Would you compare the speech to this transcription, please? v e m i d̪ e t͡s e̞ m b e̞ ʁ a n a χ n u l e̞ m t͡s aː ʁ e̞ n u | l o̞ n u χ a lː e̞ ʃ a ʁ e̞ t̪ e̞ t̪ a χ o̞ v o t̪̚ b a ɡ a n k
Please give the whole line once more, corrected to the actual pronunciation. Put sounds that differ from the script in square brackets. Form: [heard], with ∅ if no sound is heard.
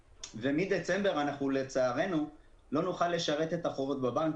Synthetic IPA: v e m i d̪ e t͡s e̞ m b e̞ ʁ a n a χ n u l e̞ [∅] t͡s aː ʁ e̞ n u | l o̞ n u χ a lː e̞ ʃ a ʁ e̞ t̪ e̞ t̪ a χ o̞ v o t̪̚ b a [b] a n k